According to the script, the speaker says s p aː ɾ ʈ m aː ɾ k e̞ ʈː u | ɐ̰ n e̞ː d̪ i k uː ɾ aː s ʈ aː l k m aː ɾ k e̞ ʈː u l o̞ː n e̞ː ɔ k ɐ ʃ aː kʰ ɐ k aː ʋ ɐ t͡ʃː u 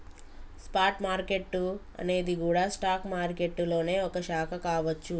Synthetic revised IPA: s p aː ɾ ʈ m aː ɾ k e̞ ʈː u | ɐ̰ n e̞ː d̪ i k uː ɽ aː s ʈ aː k m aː ɾ k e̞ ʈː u l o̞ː n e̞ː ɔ k ɐ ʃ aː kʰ ɐ k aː ʋ ɐ t͡ʃː u